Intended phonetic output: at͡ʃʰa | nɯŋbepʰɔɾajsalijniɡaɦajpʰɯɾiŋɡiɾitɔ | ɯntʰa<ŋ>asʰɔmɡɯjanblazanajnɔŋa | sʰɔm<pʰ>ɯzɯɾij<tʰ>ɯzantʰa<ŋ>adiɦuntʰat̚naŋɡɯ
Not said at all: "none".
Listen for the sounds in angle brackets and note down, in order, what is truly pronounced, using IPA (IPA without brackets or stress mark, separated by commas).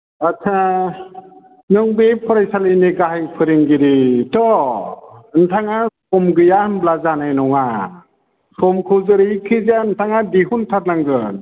ŋ, kʰ, kʰ, ŋ